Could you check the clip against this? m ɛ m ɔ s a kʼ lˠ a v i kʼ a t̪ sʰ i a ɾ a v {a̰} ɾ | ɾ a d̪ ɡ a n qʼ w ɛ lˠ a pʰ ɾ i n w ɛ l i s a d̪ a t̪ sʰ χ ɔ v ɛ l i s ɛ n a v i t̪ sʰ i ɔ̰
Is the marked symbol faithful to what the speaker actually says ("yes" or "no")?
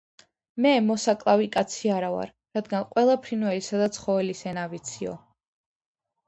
yes